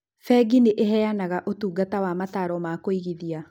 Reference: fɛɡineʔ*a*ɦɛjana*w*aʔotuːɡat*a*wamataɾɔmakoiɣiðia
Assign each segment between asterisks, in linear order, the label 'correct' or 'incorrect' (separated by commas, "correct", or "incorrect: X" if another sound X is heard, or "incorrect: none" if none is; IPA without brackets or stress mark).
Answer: incorrect: e, incorrect: ɣ, correct